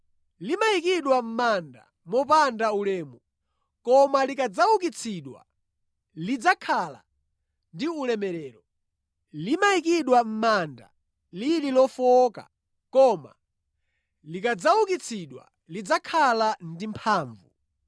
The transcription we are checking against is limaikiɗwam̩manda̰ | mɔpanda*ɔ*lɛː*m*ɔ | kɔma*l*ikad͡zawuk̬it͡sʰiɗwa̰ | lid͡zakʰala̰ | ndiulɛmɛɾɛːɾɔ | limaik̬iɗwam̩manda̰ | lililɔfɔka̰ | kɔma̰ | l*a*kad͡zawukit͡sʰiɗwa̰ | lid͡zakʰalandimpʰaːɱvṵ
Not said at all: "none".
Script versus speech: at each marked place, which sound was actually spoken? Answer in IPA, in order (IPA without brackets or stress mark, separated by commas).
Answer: u, m, l, i